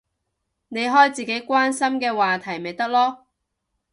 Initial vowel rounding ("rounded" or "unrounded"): unrounded